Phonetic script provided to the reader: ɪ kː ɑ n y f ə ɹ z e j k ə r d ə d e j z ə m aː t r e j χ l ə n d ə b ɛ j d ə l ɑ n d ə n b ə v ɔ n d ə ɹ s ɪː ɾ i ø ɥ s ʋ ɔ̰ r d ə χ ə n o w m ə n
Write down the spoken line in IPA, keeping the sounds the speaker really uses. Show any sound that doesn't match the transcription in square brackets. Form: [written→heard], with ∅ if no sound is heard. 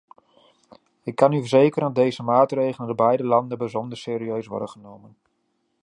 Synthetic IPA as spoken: ɪ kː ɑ n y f ə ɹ z e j k ə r d [ə→ɑ] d e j z ə m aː t r e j χ l ə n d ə b ɛ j d ə l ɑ n d ə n b ə [v→z] ɔ n d ə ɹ s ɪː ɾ i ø ɥ s ʋ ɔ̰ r d ə χ ə n o w m ə n

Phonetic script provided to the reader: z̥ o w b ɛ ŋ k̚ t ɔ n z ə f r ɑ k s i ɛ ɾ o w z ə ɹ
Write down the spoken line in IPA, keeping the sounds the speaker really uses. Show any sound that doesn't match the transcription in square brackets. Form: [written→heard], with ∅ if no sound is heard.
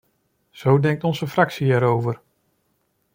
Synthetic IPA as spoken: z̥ o w [b→d] ɛ ŋ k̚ t ɔ n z ə f r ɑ k s i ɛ ɾ o w [z→v] ə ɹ

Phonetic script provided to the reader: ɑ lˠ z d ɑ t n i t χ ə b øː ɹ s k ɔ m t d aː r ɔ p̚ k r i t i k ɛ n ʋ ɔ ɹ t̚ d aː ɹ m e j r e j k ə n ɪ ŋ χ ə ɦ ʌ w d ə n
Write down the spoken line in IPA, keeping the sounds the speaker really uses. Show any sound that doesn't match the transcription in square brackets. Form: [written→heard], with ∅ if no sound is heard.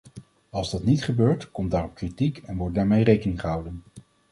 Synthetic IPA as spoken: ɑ lˠ z d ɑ t n i t χ ə b øː ɹ [s→t] k ɔ m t d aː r ɔ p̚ k r i t i k ɛ n ʋ ɔ ɹ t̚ d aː ɹ m e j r e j k ə n ɪ ŋ χ ə ɦ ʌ w d ə n

